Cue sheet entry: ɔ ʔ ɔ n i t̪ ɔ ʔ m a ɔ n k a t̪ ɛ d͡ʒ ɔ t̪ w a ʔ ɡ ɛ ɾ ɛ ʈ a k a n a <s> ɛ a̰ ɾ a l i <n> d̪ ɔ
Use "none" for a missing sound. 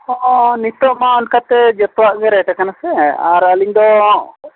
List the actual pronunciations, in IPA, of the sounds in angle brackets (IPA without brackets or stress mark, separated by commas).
s, ɲ